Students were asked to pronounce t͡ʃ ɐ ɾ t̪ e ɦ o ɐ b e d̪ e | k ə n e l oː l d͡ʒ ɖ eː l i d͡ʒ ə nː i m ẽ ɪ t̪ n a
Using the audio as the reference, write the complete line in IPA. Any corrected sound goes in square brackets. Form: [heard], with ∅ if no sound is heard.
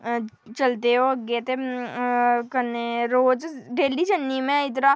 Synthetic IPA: t͡ʃ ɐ [l] t̪ e ɦ o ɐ [ɡ] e [t̪] e | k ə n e [ɾ] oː [∅] d͡ʒ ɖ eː l i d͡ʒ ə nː i m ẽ ɪ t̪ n a

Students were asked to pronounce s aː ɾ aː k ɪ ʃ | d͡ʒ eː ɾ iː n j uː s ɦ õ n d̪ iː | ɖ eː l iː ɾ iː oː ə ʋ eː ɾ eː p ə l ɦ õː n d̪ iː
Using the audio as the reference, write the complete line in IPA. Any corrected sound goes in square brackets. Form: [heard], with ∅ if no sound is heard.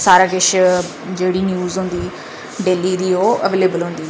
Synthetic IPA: s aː ɾ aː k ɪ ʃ | d͡ʒ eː [ɽ] iː n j uː [z] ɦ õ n d̪ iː | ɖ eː l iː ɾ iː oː ə ʋ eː [l] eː [b] ə l ɦ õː n d̪ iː

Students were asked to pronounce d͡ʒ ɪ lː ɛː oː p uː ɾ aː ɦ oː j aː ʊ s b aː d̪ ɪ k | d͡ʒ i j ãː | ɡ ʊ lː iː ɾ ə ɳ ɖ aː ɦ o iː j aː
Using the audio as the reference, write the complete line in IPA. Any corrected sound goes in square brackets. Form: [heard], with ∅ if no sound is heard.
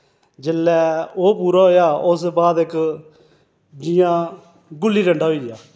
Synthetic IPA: d͡ʒ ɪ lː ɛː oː p uː ɾ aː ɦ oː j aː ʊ s b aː d̪ ɪ k | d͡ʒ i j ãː | ɡ ʊ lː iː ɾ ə ɳ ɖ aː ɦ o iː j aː

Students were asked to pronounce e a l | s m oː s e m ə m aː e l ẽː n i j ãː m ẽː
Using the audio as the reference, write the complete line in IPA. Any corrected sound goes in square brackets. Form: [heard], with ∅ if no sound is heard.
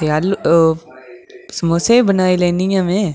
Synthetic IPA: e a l | s m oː s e [b] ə [n] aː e l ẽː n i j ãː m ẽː

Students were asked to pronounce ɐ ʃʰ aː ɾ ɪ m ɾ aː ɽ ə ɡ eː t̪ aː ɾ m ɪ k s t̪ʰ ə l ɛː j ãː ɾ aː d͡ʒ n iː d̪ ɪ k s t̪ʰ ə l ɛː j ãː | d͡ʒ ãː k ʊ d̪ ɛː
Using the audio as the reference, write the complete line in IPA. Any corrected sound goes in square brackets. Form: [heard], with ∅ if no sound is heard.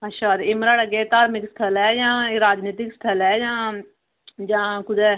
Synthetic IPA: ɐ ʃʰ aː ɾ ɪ m ɾ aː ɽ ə ɡ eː t̪ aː ɾ m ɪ k s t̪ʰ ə l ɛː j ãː ɾ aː d͡ʒ n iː [t̪] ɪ k s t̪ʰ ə l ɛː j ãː | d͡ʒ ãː k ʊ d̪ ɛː

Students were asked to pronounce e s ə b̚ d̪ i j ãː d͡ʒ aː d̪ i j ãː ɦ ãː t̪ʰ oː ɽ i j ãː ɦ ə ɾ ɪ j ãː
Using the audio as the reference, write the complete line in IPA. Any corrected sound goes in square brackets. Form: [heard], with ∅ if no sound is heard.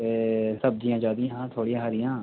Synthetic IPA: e s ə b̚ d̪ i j ãː d͡ʒ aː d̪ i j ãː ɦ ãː t̪ʰ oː ɽ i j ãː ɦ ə ɾ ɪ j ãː

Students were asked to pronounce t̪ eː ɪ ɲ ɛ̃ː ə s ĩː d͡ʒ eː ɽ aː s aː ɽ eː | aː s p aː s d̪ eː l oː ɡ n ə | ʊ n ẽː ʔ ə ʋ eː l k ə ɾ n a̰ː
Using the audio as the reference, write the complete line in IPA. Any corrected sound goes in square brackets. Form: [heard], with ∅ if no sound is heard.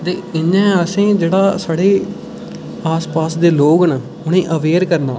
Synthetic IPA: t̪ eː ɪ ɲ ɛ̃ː ə s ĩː d͡ʒ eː ɽ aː s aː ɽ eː | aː s p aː s d̪ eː l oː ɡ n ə | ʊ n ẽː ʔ ə ʋ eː [ɾ] k ə ɾ n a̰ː

